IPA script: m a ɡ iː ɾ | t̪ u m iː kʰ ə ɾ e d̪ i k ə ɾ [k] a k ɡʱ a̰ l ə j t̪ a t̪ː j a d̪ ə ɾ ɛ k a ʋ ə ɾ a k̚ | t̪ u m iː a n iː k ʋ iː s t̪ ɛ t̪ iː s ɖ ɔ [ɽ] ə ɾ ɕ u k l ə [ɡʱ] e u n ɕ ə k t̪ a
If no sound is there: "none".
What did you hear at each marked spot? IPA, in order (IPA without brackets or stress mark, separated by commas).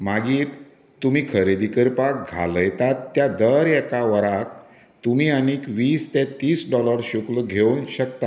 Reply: p, l, ɡʱ